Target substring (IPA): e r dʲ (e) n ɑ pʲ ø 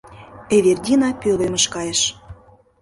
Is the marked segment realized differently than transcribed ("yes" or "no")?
yes